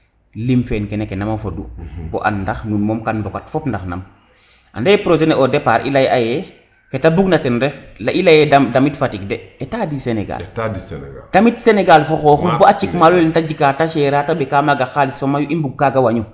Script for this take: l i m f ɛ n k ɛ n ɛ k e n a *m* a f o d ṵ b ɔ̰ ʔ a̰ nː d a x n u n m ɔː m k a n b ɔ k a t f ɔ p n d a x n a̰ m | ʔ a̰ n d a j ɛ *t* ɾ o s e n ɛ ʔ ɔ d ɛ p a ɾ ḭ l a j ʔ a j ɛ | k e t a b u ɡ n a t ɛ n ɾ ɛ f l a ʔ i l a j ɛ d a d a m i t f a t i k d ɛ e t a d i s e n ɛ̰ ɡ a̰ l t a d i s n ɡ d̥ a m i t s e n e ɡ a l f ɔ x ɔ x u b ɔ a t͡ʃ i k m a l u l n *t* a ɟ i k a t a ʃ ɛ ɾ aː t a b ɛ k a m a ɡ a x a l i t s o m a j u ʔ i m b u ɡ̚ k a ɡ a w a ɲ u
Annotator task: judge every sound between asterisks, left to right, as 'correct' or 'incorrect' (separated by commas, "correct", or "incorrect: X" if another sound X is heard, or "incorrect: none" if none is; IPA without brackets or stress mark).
correct, incorrect: p, correct